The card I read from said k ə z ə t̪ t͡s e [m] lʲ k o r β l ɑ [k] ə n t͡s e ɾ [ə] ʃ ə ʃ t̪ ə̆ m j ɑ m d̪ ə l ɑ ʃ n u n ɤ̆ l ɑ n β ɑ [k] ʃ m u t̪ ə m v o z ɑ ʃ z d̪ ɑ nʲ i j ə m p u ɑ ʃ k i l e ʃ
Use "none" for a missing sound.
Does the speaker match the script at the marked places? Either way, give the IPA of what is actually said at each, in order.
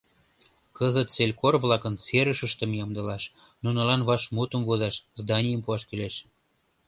none, k, ə, none

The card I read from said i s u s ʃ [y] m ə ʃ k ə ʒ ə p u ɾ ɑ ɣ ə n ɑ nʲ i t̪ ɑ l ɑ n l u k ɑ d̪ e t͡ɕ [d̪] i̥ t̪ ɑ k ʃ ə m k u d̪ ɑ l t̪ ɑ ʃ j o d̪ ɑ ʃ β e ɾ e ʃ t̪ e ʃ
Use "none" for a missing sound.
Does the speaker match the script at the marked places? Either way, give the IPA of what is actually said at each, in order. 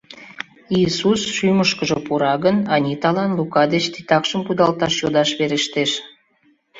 y, t̪

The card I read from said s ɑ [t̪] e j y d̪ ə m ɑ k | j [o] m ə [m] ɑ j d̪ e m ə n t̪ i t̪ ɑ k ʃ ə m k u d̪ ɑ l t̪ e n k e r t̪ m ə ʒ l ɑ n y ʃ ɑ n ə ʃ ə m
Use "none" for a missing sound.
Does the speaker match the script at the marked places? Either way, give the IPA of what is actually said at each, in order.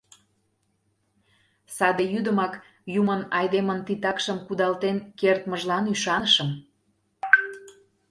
d̪, u, n

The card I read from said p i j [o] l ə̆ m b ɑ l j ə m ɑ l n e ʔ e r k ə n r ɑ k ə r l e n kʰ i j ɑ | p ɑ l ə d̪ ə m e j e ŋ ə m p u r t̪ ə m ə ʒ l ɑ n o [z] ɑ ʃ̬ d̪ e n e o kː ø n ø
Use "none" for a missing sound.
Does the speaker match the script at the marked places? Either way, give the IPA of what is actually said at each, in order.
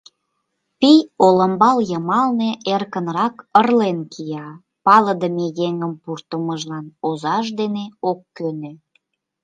o, z

